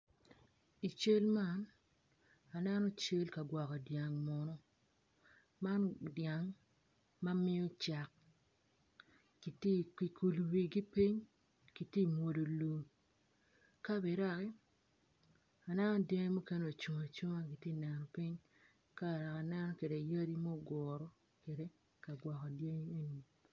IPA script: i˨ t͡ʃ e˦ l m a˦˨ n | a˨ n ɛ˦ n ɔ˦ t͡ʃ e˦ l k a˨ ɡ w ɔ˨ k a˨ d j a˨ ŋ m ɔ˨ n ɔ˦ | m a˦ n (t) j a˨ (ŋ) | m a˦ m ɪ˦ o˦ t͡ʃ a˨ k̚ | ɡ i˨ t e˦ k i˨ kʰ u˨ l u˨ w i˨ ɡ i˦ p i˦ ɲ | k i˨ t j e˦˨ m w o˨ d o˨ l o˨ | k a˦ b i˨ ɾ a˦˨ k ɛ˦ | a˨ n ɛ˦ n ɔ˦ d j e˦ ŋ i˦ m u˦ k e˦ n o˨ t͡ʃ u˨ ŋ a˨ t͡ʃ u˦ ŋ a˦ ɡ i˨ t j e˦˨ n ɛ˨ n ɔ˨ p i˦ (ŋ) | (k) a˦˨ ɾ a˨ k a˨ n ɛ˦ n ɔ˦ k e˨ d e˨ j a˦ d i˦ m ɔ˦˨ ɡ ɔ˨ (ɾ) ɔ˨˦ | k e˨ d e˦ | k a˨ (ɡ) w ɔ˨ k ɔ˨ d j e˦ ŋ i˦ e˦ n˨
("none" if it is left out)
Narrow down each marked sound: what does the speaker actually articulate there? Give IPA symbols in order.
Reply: d, ŋ, ɲ, k, ɾ, ɡ

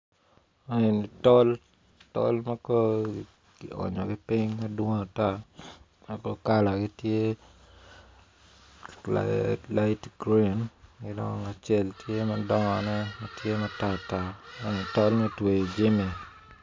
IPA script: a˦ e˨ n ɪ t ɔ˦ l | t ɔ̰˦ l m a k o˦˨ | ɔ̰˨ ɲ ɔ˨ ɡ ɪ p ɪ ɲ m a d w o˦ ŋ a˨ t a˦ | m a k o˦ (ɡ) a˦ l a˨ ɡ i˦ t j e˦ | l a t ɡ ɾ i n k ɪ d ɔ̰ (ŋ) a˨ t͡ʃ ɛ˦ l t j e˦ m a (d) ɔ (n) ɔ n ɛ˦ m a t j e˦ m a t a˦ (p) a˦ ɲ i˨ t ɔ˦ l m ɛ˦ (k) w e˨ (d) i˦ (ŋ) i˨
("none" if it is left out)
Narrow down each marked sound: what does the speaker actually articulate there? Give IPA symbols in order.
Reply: k, ŋ, d, ŋ, t, t, d͡ʒ, m

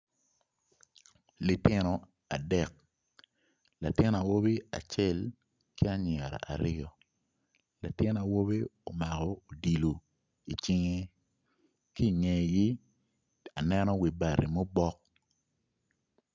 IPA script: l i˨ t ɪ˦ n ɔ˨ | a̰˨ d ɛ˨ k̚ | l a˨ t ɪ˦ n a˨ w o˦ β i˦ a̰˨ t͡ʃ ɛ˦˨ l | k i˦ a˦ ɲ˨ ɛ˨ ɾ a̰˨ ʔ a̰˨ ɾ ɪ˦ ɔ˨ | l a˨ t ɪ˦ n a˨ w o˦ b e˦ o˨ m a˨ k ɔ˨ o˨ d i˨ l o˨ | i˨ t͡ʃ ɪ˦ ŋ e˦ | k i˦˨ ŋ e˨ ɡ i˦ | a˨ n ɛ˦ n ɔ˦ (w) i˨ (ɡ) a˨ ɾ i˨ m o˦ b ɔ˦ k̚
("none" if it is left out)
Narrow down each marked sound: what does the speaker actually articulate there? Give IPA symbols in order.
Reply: w, b

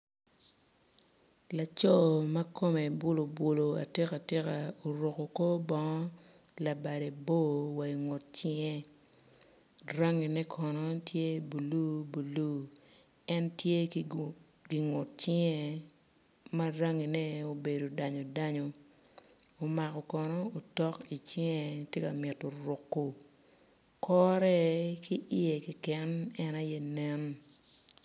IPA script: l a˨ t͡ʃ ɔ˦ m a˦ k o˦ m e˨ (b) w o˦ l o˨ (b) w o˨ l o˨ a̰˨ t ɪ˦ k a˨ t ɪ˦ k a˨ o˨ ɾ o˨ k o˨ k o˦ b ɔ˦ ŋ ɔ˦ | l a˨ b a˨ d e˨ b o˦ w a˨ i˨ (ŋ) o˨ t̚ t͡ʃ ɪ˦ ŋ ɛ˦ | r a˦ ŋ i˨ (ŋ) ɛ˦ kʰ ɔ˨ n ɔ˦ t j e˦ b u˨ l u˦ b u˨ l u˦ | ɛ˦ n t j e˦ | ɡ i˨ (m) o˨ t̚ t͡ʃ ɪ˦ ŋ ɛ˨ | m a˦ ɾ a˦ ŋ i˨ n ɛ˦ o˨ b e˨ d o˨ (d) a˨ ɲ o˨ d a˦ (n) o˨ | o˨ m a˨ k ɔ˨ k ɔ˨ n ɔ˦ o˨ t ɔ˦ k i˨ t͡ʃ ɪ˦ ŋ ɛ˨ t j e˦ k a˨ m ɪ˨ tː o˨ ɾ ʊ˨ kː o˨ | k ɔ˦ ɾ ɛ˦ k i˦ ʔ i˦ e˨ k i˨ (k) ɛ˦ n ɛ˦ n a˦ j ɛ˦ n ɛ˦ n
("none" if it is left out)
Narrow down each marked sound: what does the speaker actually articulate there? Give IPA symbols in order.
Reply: b, b, ŋ, n, ŋ, d, ɲ, k

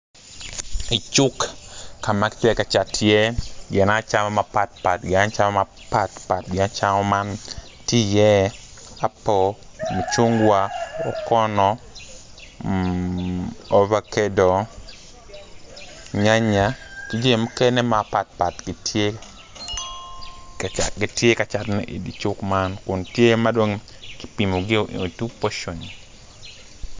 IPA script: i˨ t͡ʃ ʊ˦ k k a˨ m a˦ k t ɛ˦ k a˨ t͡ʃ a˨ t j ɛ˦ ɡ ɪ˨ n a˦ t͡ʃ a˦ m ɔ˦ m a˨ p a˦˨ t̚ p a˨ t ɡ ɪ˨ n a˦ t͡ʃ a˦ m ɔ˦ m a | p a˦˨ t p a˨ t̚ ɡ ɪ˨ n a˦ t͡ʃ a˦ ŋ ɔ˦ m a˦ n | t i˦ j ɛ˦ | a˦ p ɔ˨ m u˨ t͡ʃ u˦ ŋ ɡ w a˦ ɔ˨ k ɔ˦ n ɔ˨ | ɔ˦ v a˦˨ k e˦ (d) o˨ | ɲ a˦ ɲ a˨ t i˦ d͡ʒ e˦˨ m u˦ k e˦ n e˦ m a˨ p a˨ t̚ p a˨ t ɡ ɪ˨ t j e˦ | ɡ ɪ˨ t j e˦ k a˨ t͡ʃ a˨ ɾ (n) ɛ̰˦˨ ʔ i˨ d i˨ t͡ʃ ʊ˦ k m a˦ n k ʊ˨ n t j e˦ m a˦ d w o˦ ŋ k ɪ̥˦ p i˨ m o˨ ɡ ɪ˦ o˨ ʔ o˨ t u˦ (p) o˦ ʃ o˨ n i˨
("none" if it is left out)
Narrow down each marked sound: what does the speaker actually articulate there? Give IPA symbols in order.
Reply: d, n, p

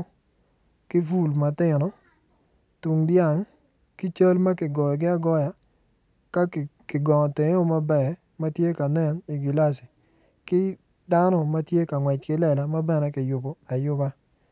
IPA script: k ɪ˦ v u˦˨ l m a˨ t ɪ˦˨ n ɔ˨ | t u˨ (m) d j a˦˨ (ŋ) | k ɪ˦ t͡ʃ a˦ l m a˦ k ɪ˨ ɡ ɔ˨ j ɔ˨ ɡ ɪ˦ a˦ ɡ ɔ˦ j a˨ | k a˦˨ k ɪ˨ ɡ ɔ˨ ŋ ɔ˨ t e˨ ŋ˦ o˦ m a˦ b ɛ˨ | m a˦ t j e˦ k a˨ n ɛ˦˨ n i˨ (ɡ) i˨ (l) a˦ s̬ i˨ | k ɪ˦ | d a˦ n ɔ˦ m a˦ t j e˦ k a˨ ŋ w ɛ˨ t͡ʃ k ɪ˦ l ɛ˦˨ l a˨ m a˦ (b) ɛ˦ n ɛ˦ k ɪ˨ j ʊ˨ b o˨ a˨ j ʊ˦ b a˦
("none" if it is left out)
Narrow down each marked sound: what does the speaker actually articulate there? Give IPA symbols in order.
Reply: ŋ, ŋ, ɡ, l, b

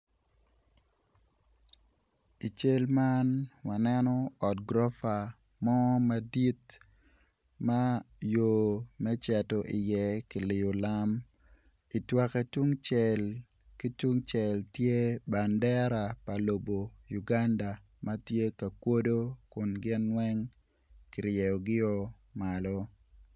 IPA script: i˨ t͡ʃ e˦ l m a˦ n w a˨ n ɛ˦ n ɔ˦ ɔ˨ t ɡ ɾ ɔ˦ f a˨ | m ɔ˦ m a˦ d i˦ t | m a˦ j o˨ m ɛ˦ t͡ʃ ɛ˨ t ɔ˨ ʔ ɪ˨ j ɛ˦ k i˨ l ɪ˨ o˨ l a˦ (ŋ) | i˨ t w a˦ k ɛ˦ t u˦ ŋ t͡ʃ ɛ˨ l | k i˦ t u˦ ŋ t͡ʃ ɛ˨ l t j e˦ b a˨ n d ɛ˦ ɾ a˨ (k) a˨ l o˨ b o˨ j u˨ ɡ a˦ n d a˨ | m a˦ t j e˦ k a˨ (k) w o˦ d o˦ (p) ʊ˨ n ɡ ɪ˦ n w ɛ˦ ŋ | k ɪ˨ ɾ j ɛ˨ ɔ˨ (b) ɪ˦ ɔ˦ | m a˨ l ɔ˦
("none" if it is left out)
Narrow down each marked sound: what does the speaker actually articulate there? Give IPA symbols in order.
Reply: m, p, k, k, ɡ

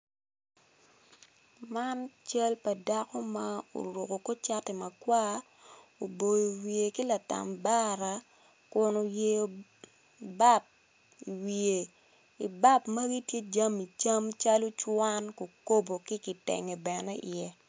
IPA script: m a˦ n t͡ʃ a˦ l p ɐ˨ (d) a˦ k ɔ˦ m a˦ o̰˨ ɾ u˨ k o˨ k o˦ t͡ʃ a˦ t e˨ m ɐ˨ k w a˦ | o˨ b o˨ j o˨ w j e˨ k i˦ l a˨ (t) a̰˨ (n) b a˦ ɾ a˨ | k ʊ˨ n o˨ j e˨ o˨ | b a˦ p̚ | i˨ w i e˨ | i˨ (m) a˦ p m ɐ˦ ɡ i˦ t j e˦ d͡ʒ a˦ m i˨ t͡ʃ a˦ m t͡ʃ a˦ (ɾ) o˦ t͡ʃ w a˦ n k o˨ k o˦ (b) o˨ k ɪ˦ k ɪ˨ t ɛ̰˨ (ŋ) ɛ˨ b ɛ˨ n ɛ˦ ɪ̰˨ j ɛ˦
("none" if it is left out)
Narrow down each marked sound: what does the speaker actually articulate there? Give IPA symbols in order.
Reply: d, t, m, b, l, b, ŋ

